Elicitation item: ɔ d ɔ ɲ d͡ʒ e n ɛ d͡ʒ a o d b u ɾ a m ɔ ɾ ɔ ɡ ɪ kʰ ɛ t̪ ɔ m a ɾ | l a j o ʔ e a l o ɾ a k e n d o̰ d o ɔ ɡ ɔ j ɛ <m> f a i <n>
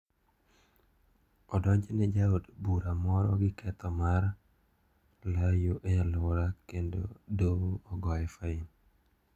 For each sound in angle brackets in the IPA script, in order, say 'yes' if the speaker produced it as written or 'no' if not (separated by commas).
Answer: no, yes